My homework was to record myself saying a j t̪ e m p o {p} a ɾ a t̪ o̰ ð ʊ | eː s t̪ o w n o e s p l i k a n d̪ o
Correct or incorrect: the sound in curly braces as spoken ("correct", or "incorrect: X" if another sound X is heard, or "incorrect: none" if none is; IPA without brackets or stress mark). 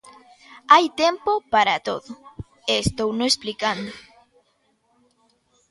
correct